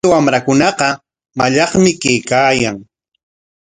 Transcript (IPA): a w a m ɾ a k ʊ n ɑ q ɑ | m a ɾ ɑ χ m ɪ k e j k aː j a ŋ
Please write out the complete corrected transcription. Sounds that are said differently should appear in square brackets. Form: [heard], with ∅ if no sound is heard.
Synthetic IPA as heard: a w a m ɾ a k ʊ n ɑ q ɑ | m a [ʎ] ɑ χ m ɪ k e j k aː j a ŋ